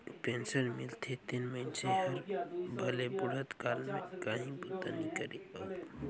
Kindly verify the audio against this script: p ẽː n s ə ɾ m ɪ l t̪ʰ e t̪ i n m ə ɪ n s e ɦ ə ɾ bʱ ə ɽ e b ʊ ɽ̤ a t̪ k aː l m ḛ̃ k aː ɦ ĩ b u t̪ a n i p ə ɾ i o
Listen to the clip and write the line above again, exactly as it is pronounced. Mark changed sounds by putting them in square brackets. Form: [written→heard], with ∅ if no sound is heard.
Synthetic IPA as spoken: p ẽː n s ə ɾ m ɪ l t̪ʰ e t̪ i n m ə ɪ n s e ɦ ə ɾ bʱ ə [ɽ→l] e b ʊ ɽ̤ [a→ə] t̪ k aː l m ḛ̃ k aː ɦ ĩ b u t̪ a n i [p→k] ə ɾ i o